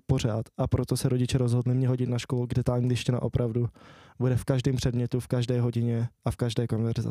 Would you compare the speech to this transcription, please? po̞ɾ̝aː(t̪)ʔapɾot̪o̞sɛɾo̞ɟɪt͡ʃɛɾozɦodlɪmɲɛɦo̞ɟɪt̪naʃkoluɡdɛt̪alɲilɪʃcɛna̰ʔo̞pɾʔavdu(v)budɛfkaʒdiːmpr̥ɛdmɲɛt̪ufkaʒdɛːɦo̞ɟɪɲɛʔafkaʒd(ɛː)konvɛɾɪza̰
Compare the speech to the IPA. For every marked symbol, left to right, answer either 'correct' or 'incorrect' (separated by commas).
correct, incorrect, correct